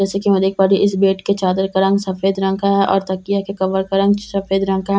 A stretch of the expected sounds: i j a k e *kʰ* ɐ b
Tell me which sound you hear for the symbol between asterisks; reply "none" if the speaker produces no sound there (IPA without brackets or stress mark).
k